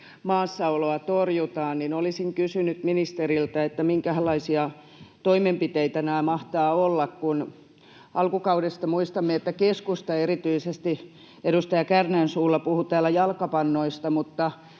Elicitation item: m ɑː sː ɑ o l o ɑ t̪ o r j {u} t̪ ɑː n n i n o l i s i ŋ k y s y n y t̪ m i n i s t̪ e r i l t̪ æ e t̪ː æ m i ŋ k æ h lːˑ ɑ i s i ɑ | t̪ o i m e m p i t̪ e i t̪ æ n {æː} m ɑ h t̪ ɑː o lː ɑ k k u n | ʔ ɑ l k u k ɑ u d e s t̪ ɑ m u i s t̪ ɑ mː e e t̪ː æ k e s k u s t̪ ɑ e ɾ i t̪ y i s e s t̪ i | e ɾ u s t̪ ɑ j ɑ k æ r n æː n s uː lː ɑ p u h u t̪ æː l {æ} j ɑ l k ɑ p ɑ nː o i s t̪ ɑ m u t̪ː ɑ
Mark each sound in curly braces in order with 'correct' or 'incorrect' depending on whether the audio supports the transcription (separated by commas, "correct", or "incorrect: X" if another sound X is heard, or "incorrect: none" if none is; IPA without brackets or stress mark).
correct, correct, correct